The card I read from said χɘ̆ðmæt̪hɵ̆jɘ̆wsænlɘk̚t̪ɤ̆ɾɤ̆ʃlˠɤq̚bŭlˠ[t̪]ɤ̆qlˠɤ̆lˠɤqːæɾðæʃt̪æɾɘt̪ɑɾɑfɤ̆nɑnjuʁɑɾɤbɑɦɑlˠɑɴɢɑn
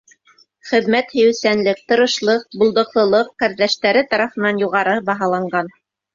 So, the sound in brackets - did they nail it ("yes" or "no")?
no